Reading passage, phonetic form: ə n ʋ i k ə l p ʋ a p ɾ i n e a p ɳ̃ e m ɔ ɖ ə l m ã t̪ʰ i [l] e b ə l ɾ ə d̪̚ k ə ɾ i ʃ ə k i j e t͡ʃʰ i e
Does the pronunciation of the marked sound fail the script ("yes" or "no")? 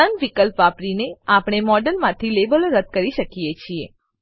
no